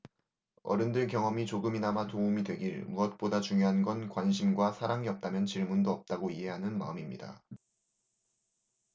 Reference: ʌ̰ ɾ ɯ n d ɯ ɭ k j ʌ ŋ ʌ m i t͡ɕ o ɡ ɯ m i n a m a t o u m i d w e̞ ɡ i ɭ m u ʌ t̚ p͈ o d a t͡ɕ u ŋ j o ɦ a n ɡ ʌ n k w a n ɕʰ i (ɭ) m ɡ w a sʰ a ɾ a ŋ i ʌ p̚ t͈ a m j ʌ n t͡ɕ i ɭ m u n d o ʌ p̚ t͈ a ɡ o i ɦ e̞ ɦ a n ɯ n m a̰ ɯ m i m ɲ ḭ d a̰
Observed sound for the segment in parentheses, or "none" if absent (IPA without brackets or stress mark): none